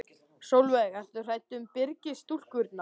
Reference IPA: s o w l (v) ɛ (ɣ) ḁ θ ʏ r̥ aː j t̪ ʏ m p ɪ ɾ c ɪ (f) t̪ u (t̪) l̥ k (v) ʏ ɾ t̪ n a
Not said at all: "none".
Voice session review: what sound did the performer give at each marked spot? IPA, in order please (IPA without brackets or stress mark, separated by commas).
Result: v, ɣ, s, none, v